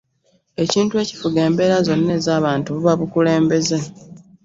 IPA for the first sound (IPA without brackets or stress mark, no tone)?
e̞